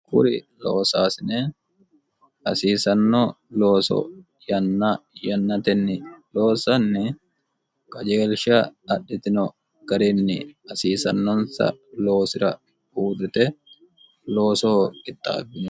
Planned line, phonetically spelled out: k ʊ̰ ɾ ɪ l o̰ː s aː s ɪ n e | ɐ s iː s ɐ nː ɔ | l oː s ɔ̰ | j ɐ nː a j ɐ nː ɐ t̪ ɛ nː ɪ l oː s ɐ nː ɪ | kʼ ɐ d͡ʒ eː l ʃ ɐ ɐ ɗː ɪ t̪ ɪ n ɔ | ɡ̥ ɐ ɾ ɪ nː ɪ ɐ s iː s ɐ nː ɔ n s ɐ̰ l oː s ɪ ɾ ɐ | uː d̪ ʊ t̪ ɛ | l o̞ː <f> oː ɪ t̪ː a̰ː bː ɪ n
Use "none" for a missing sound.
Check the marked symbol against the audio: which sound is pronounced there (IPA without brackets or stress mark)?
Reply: s